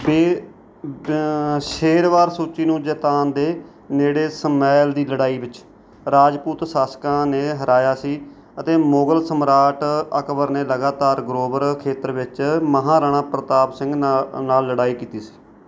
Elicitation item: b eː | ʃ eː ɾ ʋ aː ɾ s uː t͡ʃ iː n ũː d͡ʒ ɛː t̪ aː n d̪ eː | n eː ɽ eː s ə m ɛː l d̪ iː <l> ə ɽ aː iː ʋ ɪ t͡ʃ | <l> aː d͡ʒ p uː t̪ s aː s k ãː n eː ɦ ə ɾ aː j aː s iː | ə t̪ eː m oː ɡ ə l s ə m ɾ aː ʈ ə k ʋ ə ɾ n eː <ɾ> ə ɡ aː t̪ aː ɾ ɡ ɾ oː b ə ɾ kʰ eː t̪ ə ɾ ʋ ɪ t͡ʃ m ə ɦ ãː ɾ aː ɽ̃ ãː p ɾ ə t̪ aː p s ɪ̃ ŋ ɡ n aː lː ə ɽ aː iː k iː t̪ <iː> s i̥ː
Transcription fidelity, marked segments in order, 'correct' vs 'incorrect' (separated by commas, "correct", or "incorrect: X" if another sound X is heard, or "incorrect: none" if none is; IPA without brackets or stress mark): correct, incorrect: ɾ, incorrect: l, correct